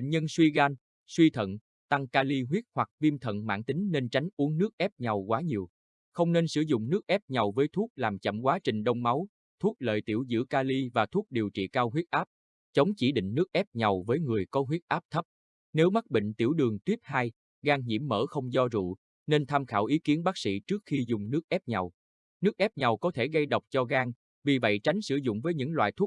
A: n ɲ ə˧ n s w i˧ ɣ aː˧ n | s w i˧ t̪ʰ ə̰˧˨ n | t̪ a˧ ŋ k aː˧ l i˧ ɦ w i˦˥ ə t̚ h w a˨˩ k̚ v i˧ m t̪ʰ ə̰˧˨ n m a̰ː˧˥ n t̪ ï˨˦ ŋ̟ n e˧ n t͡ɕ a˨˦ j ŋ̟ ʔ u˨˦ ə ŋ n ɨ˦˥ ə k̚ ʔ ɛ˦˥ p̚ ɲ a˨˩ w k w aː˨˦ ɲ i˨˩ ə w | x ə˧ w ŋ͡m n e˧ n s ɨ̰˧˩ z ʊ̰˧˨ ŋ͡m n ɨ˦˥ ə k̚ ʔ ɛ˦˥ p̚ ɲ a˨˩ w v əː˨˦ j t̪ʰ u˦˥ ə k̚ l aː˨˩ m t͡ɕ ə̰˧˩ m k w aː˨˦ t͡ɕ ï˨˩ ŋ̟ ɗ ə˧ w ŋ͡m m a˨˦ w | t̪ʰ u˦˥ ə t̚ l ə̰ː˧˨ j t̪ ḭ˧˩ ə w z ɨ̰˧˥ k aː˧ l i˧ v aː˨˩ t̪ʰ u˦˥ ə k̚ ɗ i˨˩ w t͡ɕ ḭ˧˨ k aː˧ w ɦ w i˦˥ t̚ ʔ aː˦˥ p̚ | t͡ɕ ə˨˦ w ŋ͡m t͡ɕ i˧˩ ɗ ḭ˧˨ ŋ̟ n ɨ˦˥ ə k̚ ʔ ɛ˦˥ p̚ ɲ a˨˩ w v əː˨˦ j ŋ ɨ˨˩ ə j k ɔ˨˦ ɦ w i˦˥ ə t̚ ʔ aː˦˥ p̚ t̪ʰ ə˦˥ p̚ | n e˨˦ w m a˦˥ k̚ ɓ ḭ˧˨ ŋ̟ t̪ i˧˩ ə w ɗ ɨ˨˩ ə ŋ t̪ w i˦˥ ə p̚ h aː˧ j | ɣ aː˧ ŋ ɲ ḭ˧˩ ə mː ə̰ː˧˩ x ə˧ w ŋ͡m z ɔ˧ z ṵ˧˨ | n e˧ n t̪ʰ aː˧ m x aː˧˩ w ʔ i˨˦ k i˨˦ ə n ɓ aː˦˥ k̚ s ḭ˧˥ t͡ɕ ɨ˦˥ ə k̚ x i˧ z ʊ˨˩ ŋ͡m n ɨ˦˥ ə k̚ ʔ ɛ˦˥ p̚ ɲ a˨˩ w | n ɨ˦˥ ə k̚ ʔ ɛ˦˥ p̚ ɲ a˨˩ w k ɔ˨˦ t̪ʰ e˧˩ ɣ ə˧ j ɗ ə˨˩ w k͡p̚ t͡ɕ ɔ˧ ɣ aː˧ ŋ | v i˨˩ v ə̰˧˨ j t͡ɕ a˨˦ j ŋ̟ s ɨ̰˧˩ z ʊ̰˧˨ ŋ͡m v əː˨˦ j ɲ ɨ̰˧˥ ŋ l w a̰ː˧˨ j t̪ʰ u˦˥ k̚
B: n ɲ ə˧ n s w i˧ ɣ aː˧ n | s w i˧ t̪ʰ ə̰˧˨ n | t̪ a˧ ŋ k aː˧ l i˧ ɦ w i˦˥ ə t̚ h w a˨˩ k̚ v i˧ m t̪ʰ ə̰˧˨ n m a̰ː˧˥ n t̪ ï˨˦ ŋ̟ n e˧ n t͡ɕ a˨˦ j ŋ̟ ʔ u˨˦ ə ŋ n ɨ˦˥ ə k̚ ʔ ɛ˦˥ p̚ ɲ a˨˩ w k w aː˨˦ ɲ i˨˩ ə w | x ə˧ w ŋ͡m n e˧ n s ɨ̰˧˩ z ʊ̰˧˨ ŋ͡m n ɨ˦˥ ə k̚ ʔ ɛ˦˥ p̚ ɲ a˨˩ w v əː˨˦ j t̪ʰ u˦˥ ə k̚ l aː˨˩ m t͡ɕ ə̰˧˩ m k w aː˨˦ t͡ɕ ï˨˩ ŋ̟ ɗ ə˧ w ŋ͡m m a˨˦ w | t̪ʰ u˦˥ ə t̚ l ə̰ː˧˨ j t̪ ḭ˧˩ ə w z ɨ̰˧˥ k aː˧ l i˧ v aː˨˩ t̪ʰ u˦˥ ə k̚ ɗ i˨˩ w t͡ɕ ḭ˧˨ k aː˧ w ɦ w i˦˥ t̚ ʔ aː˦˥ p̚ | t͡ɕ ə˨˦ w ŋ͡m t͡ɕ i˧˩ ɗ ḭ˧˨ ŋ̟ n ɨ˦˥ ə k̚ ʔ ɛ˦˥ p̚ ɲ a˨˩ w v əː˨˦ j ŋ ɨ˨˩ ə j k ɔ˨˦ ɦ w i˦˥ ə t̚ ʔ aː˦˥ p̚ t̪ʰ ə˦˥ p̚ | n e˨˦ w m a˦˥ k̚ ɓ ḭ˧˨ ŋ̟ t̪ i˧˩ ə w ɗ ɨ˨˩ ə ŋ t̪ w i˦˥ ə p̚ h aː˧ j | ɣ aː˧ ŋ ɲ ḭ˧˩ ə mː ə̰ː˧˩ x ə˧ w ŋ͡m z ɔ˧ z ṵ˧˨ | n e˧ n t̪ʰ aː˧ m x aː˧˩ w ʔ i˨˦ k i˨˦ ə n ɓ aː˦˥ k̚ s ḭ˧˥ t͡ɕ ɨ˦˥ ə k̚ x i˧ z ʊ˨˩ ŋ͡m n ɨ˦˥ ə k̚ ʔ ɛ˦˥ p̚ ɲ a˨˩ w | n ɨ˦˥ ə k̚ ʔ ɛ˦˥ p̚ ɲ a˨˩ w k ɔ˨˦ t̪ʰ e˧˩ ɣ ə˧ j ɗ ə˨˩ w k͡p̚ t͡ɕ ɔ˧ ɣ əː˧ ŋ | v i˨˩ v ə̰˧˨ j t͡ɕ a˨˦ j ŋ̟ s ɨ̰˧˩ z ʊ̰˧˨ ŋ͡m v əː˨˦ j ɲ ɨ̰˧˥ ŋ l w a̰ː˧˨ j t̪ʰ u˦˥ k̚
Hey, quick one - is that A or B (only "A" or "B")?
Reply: A